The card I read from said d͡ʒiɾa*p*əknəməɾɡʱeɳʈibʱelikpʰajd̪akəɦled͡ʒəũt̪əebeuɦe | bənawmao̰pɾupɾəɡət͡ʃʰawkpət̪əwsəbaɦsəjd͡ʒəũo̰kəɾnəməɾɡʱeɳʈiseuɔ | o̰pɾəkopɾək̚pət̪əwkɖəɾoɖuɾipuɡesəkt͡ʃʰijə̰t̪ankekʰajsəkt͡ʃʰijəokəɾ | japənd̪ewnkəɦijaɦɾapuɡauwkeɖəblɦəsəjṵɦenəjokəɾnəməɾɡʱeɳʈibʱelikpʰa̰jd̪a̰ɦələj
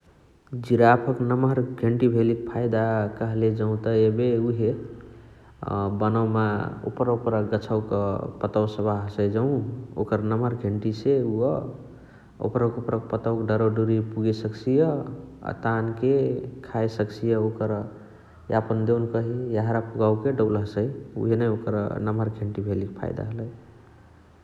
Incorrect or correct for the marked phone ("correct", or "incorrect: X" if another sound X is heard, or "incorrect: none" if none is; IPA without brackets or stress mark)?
incorrect: pʰ